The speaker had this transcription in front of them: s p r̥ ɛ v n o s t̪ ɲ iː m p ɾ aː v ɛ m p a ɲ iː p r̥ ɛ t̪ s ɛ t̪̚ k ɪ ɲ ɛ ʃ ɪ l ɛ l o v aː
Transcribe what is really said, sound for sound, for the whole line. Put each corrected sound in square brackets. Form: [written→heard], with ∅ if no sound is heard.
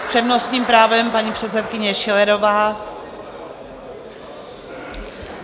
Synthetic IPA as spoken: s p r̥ ɛ v n o s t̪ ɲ iː m p ɾ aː v ɛ m p a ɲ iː p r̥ ɛ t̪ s ɛ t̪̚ k ɪ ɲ ɛ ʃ ɪ l ɛ [l→ɾ] o v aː